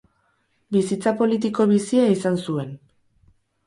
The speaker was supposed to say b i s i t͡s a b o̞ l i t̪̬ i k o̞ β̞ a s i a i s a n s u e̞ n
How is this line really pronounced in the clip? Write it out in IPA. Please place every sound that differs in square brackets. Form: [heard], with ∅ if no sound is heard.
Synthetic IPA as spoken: b i s i t͡s a [p] o̞ l i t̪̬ i k o̞ β̞ [i] s i a i s a n s u e̞ n